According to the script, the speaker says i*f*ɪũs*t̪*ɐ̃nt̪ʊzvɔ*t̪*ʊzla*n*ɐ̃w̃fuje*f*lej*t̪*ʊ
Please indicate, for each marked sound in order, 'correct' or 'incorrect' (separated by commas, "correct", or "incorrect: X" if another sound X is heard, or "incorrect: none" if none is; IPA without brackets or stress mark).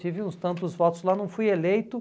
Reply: incorrect: v, correct, correct, correct, incorrect: none, correct